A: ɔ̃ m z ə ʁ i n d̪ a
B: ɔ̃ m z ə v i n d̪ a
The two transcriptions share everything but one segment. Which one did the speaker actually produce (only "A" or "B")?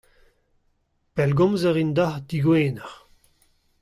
A